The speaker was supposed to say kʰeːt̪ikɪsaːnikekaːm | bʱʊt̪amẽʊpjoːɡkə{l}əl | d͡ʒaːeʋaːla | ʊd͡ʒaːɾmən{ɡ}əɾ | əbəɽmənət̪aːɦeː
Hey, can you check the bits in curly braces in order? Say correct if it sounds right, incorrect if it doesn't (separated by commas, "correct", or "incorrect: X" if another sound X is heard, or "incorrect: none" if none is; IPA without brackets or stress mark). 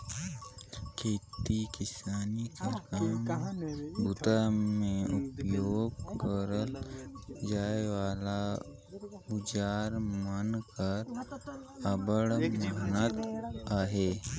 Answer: incorrect: ɾ, incorrect: k